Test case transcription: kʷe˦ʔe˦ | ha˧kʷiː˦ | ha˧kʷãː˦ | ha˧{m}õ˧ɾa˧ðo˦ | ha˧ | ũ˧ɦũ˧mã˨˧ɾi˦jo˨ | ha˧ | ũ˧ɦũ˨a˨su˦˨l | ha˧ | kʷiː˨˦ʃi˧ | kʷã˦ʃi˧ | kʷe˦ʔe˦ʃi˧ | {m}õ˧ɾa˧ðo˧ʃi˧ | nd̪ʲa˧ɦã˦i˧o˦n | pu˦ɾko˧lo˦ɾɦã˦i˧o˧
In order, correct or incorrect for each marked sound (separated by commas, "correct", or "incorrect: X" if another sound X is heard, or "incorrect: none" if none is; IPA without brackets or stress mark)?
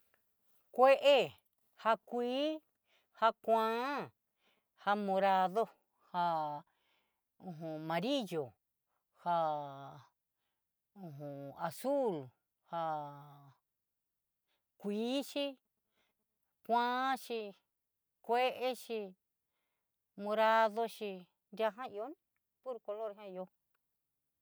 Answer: correct, correct